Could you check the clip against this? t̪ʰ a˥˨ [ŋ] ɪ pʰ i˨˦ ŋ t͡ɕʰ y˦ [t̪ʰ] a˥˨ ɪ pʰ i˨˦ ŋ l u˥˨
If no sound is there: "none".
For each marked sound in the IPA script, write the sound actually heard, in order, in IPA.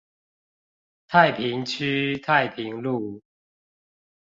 none, t̪ʰ

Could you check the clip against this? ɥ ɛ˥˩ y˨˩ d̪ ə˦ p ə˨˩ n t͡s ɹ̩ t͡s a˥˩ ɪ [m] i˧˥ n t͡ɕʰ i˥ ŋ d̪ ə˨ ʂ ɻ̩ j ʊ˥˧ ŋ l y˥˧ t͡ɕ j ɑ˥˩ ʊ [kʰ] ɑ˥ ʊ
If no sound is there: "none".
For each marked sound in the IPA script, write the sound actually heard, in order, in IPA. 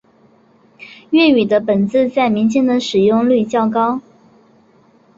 m, k

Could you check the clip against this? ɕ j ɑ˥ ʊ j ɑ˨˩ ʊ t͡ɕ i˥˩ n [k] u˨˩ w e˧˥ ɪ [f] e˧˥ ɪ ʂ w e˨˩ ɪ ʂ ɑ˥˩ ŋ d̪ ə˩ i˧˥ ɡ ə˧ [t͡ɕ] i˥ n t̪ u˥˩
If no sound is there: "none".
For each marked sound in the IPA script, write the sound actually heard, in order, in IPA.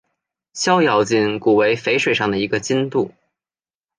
k, f, t͡ɕ

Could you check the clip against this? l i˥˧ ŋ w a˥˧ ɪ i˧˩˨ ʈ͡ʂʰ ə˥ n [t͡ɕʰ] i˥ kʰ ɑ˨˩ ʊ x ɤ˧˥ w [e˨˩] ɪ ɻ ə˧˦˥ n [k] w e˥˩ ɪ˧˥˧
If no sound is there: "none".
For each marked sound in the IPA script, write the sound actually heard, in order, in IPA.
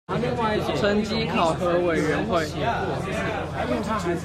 t͡ɕ, e˨˩, x

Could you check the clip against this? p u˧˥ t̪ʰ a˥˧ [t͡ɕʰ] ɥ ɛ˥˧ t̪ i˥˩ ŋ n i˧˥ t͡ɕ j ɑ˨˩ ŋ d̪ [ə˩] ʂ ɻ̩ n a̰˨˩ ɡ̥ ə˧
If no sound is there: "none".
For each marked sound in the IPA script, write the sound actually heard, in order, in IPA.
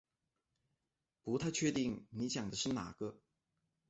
t͡ɕʰ, ə˦

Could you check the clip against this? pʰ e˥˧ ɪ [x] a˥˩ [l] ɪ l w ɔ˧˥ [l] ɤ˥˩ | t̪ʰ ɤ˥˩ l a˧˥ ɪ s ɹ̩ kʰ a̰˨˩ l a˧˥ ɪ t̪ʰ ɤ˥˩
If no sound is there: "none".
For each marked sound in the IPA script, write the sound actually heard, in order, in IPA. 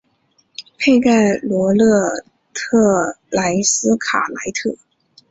k, none, l

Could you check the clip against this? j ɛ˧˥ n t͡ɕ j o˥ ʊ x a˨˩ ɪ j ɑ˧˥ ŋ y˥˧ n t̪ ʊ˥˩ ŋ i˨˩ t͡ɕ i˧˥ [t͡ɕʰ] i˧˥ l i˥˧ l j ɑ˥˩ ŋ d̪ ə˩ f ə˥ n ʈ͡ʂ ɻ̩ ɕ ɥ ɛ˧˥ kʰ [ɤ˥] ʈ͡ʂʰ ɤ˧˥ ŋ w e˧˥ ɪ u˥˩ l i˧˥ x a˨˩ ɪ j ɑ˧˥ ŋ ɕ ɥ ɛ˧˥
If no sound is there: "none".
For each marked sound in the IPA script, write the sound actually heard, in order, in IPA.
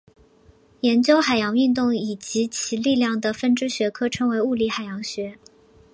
t͡ɕʰ, ɤ˥

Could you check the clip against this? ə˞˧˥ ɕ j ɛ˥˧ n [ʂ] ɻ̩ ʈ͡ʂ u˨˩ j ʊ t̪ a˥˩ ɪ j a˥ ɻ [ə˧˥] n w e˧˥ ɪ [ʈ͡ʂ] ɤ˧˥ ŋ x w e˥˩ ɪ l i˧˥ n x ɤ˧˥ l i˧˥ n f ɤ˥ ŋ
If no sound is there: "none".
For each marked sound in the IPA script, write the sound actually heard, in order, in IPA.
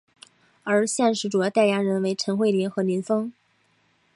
ʂ, ə˧˥, ʈ͡ʂʰ

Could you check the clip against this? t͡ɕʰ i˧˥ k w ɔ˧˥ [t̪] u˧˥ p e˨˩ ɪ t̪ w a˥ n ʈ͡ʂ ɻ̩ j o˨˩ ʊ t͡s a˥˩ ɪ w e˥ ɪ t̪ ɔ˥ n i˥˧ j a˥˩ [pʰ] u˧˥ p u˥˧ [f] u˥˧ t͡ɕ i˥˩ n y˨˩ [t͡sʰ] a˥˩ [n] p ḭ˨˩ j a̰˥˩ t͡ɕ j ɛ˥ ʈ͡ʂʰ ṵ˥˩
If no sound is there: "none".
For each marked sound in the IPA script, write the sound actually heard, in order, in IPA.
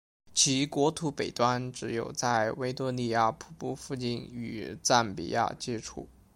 t̪ʰ, pʰ, f, t͡s, n

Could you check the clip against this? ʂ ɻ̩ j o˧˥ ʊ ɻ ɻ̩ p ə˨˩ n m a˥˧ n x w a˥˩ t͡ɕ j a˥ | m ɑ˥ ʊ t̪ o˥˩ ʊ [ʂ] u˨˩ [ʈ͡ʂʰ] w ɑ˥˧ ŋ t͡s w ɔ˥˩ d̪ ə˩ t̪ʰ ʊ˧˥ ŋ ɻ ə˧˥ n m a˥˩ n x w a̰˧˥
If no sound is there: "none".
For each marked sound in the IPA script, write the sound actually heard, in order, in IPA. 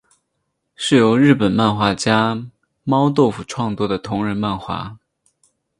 f, ʈ͡ʂʰ

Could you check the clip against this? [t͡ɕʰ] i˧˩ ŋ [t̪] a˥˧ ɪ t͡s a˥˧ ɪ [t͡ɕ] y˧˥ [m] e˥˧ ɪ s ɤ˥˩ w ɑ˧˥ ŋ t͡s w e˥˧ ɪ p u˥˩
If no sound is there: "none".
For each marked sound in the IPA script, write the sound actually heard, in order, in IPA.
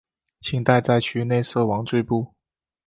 t͡ɕʰ, t̪, t͡ɕʰ, n

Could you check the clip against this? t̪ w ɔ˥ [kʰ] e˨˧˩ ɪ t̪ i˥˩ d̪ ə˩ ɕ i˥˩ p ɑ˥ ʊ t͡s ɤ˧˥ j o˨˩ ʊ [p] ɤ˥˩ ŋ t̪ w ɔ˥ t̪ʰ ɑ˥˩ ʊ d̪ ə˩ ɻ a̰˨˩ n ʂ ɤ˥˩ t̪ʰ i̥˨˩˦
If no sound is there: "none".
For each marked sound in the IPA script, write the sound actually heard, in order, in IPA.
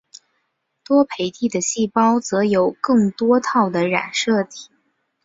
pʰ, k

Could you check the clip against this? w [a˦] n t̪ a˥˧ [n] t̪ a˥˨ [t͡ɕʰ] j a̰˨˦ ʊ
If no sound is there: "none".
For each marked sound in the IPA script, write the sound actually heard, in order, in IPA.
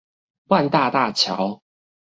a˥˨, none, t͡ɕʰ

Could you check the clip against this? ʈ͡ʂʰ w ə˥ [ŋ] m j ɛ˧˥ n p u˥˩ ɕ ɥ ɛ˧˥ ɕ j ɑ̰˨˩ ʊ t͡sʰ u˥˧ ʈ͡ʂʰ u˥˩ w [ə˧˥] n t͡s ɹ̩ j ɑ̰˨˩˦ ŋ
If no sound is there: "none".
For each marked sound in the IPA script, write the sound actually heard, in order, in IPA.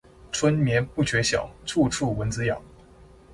n, ə˧˥

